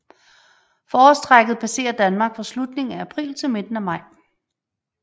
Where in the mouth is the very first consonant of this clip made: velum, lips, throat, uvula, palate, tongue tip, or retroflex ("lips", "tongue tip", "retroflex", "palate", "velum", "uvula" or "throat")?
lips